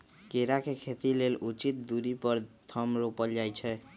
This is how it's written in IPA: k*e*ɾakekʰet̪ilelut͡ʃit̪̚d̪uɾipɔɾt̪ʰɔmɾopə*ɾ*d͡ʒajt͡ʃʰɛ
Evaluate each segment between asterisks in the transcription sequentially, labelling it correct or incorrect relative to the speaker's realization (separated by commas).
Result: correct, incorrect